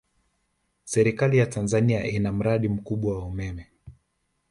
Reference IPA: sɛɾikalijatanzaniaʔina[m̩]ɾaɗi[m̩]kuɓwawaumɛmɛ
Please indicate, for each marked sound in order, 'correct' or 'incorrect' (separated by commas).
correct, correct